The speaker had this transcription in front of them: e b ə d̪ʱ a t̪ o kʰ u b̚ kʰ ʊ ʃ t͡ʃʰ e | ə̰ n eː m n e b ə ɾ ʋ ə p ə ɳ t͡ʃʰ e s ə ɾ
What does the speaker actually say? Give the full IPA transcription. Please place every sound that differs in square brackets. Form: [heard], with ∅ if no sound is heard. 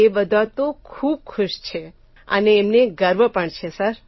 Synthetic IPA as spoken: e b ə d̪ʱ a t̪ o kʰ u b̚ kʰ ʊ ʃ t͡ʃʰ e | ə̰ n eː m n e [ɡ] ə ɾ ʋ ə p ə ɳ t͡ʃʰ e s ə ɾ